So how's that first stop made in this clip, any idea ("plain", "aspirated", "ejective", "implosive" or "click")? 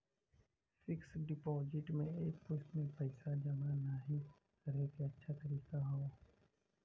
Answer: plain